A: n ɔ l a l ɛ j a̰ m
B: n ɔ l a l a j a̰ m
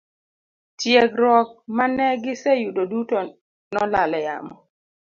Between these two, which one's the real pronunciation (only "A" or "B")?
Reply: A